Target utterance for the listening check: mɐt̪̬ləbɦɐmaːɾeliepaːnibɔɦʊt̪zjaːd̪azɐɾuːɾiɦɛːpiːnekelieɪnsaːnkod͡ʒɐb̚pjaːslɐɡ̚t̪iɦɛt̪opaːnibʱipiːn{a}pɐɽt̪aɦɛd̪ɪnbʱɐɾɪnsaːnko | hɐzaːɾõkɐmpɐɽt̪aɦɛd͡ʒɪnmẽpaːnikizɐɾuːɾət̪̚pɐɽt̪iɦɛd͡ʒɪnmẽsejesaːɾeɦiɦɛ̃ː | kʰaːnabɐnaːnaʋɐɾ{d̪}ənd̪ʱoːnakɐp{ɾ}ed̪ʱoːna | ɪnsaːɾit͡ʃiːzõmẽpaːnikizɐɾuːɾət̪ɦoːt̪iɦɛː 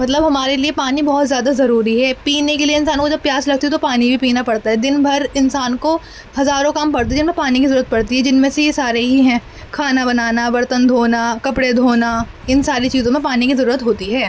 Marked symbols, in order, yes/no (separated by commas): yes, no, no